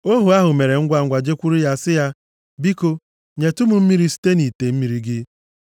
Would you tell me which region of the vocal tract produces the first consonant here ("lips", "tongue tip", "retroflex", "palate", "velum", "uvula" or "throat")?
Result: throat